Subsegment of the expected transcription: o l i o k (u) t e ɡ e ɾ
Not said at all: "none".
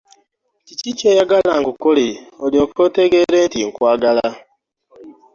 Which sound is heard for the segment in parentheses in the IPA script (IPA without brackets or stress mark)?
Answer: o